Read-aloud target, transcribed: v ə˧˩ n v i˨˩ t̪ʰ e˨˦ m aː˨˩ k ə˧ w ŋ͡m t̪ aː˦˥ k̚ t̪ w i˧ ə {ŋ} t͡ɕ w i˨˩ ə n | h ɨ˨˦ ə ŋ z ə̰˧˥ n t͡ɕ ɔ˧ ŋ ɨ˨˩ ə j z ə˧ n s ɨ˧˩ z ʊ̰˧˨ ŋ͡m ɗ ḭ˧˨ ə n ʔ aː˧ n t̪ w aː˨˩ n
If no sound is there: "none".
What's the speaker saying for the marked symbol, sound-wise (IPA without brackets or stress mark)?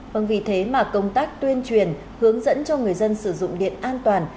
n